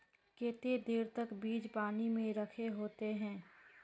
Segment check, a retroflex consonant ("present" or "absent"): absent